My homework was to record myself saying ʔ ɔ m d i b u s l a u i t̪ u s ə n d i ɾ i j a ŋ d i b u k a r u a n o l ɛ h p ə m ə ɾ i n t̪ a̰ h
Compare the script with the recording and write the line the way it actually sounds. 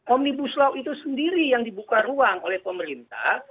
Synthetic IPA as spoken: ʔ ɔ m n i b u s l a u i t̪ u s ə n d i ɾ i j a ŋ d i b u k a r u a ŋ o l ɛ h p ə m ə ɾ i n t̪ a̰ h